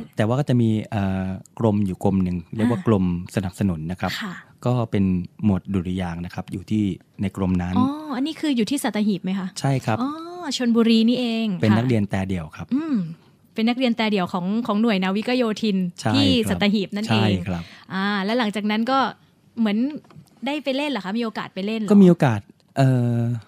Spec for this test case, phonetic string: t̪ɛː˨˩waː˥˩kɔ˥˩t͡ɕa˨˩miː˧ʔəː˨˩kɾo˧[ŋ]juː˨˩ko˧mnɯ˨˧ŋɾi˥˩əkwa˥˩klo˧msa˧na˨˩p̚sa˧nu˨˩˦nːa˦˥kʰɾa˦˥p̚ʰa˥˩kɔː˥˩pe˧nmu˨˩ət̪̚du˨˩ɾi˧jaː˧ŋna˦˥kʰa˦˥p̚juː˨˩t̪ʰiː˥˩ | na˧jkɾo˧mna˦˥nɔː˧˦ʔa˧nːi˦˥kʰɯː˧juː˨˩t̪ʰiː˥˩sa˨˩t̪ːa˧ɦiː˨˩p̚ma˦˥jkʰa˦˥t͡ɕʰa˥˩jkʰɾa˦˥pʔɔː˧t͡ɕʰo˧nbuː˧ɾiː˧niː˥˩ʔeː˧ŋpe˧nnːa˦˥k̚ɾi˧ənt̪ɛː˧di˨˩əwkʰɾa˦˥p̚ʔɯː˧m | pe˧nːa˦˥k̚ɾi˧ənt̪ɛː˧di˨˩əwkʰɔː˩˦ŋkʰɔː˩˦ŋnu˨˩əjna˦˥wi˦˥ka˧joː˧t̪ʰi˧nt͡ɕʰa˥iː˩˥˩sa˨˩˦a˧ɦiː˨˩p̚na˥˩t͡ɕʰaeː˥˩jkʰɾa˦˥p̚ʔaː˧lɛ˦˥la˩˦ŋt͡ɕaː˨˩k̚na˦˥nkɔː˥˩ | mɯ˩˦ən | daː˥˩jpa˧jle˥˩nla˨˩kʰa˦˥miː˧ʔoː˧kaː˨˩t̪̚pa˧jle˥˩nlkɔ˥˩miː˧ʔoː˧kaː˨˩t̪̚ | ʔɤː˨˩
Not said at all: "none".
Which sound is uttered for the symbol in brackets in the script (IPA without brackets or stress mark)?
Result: m